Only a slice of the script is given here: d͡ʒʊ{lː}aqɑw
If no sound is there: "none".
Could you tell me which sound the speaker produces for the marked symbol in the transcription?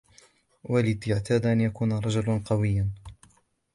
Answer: l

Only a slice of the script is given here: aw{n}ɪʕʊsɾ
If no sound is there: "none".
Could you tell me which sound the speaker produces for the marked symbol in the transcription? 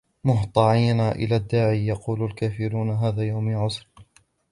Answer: m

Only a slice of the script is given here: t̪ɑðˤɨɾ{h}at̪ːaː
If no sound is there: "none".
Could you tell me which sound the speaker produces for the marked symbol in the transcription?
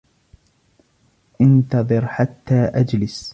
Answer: ħ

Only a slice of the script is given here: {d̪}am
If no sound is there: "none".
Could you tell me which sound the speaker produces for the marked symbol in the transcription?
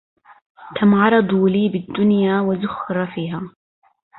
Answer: t̪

